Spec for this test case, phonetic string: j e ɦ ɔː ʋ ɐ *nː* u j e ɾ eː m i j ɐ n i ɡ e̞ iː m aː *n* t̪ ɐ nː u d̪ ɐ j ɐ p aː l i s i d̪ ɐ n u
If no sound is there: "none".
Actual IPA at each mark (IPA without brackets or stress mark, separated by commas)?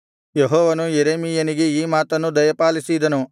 n, none